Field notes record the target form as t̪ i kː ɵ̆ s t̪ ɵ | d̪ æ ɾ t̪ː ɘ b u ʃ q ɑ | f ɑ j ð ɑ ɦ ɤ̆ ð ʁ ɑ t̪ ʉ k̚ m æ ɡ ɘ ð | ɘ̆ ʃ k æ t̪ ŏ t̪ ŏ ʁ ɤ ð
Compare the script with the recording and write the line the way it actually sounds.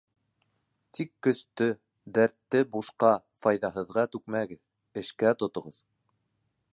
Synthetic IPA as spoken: t̪ i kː ɵ̆ s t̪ ɵ | d̪ æ ɾ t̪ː ɘ b u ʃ q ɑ | f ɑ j ð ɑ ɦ ɤ̆ ð ʁ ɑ t̪ ʉ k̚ m æ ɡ ɘ ð | ɘ̆ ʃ k æ t̪ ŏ t̪ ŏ ʁ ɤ ð